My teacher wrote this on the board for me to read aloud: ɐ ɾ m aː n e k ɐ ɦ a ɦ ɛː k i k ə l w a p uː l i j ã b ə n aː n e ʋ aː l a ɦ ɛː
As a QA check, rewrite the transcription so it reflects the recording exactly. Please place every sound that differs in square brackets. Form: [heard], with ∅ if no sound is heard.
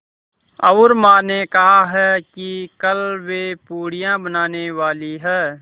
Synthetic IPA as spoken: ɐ ɾ m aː n e k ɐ ɦ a ɦ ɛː k i k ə l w [e] p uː [ɽ] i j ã b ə n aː n e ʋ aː l [i] ɦ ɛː